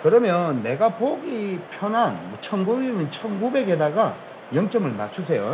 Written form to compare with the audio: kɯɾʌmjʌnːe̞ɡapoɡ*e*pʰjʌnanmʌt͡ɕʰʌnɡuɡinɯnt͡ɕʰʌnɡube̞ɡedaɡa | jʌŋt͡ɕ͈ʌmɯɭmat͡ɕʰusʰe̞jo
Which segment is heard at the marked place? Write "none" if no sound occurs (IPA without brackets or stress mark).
i